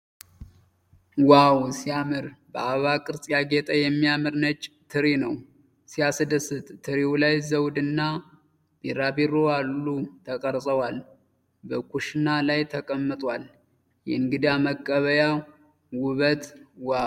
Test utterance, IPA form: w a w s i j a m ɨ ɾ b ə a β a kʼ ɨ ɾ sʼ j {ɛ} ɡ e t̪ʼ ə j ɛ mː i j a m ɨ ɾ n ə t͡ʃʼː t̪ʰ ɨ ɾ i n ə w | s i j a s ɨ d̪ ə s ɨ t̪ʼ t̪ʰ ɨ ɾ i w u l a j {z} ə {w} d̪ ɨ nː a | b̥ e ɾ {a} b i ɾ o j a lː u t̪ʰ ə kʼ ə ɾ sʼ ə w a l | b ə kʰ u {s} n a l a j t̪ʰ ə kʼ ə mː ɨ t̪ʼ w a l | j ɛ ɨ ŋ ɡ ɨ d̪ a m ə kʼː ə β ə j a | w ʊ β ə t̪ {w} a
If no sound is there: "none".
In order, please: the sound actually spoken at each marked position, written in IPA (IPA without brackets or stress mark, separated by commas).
a, z, w, a, ʃ, w